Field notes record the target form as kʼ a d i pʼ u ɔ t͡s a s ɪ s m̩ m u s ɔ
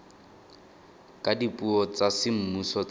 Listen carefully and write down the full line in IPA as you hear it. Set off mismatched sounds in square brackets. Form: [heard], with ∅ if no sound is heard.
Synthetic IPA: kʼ a d i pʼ u ɔ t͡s a s ɪ [∅] m̩ m u s ɔ